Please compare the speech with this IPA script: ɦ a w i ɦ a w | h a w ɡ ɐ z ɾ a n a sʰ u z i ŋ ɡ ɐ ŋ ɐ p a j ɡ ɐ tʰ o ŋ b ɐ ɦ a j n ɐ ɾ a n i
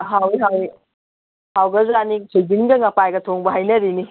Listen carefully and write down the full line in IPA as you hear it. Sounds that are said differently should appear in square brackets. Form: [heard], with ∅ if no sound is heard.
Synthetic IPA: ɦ a w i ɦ a w | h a w ɡ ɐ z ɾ a n [i] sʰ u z i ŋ ɡ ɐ ŋ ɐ p a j ɡ ɐ tʰ o ŋ b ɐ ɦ a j n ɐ ɾ [i] n i